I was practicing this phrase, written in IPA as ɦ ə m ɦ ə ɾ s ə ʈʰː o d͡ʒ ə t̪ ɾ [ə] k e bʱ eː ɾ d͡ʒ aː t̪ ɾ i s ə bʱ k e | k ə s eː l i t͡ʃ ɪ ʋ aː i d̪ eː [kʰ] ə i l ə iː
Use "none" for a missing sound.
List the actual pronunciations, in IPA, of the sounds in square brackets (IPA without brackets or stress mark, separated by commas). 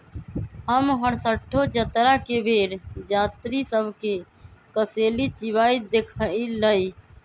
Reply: a, kʰ